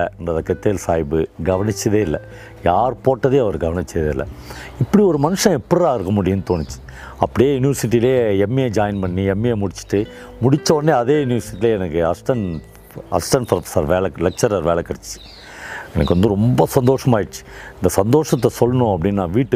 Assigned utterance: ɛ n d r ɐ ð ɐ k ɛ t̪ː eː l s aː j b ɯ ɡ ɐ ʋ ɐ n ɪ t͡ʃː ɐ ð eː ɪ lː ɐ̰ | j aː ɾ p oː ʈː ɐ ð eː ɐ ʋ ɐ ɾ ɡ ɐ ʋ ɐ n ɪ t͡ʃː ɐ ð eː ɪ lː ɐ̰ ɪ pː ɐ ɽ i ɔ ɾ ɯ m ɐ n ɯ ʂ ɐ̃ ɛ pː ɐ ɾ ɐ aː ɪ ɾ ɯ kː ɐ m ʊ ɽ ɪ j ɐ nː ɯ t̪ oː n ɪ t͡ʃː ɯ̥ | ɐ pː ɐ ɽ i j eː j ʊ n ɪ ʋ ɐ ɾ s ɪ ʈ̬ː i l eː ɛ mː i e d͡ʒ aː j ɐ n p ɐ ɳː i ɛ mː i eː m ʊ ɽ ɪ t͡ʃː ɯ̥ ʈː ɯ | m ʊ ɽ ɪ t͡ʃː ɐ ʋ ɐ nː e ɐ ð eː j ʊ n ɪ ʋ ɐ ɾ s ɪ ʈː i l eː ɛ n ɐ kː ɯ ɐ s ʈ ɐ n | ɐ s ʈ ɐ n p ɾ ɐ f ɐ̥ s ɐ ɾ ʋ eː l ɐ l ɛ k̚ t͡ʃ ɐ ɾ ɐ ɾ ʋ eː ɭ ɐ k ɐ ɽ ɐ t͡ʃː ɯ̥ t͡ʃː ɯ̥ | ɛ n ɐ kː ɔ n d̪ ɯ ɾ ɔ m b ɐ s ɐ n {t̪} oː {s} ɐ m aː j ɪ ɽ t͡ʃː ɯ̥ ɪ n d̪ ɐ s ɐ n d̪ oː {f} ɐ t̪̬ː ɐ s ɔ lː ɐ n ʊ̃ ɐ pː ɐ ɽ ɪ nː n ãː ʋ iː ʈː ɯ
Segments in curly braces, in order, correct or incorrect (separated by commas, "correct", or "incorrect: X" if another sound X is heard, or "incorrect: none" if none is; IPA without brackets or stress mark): incorrect: d̪, incorrect: ʂ, incorrect: ʂ